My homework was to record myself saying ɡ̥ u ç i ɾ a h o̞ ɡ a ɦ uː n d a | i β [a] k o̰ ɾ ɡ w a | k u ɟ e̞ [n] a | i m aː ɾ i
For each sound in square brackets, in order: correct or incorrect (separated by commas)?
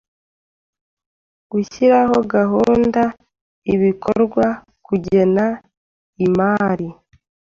incorrect, correct